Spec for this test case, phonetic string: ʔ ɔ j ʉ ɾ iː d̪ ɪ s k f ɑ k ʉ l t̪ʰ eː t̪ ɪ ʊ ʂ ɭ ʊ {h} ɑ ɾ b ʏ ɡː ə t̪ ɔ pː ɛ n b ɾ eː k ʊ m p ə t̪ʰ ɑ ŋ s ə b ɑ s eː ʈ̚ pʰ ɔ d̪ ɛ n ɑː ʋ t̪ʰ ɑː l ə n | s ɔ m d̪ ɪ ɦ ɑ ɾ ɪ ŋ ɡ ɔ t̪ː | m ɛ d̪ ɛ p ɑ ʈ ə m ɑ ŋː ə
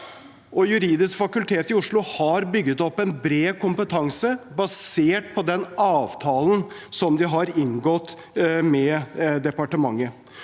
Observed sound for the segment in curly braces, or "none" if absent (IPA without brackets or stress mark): h